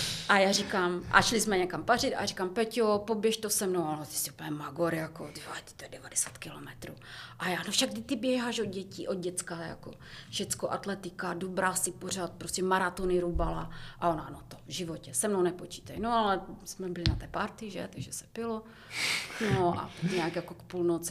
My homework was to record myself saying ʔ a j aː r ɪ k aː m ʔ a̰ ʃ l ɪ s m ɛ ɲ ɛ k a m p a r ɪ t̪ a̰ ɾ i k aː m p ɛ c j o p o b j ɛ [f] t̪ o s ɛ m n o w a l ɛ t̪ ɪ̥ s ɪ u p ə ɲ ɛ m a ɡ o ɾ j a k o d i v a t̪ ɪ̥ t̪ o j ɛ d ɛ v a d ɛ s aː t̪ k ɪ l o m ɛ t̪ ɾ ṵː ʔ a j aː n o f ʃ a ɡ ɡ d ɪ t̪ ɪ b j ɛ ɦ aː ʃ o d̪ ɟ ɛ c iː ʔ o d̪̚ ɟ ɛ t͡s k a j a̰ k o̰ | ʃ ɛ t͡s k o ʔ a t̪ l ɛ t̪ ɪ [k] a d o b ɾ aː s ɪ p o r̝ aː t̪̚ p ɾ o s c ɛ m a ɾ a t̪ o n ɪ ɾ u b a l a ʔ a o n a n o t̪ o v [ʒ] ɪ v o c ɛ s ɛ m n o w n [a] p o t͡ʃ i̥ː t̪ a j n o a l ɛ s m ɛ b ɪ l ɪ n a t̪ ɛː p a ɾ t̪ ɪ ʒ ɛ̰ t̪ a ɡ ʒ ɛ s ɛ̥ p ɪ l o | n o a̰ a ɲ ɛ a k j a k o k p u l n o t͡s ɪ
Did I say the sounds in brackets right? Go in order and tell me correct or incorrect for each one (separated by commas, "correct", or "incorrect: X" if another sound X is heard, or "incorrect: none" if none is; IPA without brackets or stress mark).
incorrect: ʃ, correct, correct, incorrect: ɛ